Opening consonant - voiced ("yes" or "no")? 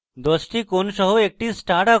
yes